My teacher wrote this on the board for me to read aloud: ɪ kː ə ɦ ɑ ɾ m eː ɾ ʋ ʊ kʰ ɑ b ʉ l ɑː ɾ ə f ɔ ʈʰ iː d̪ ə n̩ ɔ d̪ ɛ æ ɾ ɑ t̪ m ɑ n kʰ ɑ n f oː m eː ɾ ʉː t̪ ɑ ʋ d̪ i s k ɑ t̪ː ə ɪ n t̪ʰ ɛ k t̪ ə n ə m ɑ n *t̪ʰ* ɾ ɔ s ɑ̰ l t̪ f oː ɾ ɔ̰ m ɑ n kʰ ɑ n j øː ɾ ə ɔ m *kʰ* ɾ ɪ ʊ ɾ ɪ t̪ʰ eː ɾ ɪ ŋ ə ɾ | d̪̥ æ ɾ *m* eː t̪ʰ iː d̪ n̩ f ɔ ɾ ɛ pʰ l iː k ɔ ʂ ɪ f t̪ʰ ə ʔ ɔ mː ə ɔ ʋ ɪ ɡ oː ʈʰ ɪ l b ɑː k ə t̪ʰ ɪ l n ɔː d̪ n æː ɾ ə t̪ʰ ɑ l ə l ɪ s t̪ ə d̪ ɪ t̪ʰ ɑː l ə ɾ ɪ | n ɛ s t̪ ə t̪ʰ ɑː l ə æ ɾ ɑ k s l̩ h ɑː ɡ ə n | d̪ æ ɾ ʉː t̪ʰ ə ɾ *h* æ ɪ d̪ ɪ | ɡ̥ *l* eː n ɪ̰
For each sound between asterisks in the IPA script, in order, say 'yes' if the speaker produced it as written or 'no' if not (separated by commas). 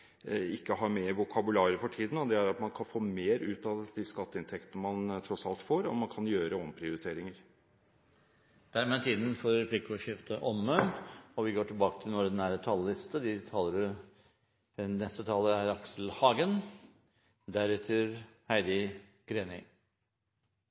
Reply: yes, no, yes, yes, no